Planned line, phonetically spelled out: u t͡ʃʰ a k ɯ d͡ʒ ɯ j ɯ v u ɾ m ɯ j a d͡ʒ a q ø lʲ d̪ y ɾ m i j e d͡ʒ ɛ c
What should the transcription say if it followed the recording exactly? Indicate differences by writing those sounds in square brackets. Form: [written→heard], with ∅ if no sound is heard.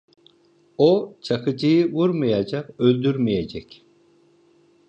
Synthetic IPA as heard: [u→o] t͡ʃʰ a k ɯ d͡ʒ ɯ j ɯ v u ɾ m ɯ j a d͡ʒ a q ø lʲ d̪ y ɾ m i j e d͡ʒ ɛ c